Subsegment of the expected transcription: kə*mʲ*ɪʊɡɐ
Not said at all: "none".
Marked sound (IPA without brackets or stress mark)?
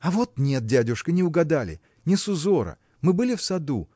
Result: nʲ